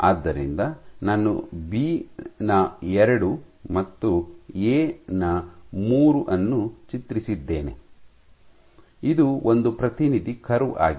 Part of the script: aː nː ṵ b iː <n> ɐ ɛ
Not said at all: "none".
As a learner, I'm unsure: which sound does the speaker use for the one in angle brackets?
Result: n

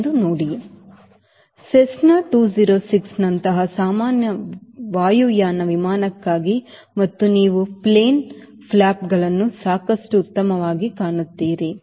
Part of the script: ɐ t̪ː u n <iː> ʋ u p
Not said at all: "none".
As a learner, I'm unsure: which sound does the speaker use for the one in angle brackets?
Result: iː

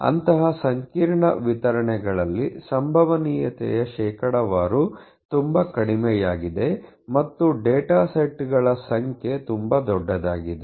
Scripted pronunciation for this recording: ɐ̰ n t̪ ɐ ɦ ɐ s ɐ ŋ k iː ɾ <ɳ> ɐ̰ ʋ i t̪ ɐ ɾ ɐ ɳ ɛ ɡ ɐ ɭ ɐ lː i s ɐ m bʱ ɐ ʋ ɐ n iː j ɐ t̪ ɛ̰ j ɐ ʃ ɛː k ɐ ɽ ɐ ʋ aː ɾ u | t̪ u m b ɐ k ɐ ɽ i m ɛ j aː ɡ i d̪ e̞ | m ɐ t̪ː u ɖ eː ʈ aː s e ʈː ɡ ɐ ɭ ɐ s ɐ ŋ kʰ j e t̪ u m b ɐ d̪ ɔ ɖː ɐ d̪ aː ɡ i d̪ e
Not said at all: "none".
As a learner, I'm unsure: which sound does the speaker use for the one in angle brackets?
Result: ɳ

